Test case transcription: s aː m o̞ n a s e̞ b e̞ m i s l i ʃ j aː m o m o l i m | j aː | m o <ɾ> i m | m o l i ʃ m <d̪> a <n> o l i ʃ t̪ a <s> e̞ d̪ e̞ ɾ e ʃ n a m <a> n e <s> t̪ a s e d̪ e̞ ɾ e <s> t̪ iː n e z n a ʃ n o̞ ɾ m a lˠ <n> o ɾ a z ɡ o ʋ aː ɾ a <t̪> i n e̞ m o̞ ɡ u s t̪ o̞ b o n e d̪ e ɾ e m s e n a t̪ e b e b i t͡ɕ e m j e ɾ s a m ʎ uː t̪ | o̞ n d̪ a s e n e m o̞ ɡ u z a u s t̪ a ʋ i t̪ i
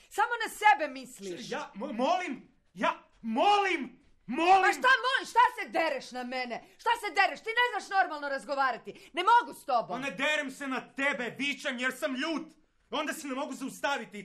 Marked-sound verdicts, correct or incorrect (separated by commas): incorrect, incorrect, incorrect, correct, incorrect, incorrect, incorrect, correct, correct